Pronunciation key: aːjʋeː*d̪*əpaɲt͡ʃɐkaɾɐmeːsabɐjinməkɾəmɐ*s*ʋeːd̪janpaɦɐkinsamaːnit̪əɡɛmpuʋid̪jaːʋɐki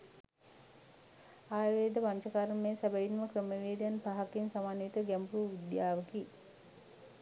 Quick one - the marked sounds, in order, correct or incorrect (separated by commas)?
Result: correct, incorrect